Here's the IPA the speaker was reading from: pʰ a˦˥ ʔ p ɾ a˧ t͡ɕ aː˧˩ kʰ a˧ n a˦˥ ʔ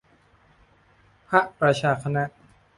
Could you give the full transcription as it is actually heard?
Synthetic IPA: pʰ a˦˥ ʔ p ɾ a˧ t͡ɕʰ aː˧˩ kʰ a˧ n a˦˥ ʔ